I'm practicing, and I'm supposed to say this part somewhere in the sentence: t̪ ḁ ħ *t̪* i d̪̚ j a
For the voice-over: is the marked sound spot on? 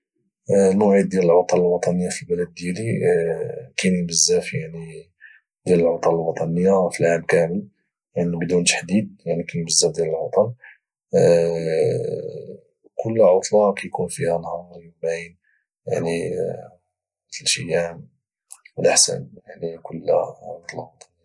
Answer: no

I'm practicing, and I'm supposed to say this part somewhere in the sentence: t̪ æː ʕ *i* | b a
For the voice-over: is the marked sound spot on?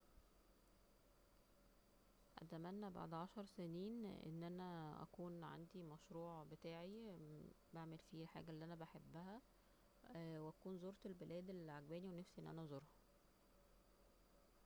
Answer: yes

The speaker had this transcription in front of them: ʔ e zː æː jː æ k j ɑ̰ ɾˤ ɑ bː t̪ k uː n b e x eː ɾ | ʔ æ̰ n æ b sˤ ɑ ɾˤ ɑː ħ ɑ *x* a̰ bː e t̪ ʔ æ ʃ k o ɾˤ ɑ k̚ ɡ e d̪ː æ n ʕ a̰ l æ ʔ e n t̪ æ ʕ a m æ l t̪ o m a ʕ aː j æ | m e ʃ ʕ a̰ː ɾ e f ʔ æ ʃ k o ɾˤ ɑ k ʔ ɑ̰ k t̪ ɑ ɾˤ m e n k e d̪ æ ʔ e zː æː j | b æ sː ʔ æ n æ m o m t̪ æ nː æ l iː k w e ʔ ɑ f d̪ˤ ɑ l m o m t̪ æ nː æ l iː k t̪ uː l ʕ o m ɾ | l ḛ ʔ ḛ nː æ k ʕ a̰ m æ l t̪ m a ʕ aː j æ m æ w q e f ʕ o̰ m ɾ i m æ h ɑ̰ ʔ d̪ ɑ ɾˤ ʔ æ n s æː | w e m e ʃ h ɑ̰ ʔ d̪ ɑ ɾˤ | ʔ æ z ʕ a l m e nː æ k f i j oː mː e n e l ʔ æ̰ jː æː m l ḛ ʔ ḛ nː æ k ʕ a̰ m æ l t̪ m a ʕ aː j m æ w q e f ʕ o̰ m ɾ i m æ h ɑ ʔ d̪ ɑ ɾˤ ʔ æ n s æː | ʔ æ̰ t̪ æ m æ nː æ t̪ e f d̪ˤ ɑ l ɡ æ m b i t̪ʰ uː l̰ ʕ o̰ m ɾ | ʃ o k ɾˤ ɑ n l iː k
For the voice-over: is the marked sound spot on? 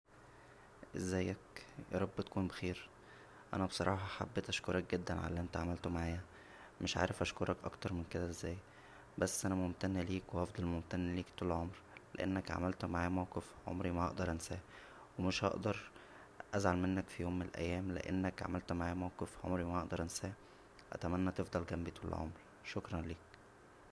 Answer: no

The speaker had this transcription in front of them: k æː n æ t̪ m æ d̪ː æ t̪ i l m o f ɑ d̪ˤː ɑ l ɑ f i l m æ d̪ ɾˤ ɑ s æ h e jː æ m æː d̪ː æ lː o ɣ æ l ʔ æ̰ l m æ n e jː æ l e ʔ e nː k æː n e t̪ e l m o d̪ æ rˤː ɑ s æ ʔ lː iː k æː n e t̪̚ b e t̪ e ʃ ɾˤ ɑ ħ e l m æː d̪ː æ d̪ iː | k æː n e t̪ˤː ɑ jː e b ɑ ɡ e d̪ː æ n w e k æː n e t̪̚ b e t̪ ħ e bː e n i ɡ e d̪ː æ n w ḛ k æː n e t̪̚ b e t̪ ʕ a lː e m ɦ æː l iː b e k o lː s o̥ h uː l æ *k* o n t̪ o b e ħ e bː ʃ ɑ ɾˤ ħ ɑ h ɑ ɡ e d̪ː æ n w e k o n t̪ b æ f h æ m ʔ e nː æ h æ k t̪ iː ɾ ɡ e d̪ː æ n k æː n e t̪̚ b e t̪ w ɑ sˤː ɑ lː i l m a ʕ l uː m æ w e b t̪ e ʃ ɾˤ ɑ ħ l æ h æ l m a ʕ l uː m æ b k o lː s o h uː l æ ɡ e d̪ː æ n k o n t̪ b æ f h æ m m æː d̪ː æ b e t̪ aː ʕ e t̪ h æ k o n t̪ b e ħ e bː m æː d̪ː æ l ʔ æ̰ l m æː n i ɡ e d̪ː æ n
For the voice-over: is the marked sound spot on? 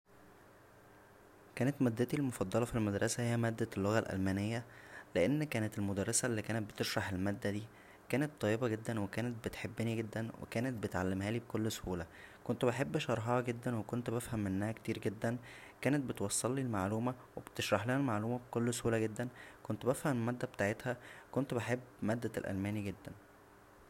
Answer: yes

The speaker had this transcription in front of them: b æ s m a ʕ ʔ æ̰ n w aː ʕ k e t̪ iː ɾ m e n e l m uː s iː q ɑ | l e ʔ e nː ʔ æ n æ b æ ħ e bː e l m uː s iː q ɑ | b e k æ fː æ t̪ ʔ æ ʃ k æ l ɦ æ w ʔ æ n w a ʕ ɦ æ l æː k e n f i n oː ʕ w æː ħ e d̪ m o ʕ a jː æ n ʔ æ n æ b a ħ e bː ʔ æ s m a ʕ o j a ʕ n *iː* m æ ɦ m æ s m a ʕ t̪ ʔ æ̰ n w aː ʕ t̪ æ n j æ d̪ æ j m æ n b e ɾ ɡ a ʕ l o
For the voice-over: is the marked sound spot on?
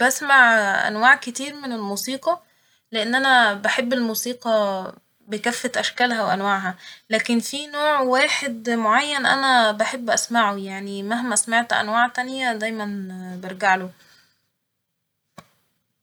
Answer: no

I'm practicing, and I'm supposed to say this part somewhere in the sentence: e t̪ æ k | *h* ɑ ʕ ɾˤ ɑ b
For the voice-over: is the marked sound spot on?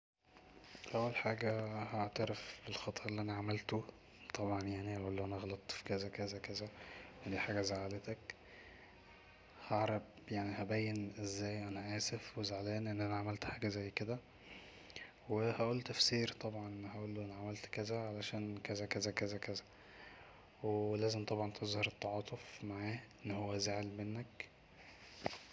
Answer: yes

